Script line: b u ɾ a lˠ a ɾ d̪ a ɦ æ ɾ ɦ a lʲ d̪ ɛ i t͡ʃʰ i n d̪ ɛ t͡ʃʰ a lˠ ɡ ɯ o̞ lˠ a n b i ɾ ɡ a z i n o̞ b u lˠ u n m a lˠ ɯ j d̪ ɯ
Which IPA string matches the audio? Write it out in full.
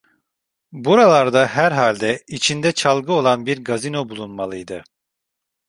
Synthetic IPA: b u ɾ a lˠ a ɾ d̪ a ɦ æ ɾ ɦ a lʲ d̪ ɛ i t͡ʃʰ i n d̪ ɛ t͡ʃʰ a lˠ ɡ ɯ o̞ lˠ a n b i ɾ ɡ a z i n o̞ b u lˠ u n m a lˠ ɯ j d̪ ɯ